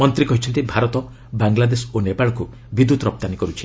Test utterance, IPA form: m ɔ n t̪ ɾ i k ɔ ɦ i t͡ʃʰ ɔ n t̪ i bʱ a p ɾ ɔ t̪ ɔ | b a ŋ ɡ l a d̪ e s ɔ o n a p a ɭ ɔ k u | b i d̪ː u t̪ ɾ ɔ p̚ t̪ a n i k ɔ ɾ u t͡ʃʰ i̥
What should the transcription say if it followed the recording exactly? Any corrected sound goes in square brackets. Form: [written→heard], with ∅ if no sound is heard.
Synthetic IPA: m ɔ n t̪ ɾ i k ɔ ɦ i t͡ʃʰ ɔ n t̪ i bʱ a [p→∅] ɾ ɔ t̪ ɔ | b a ŋ ɡ l a d̪ e s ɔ o n [a→e] p a ɭ ɔ k u | b i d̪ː u t̪ ɾ ɔ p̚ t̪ a n i k ɔ ɾ u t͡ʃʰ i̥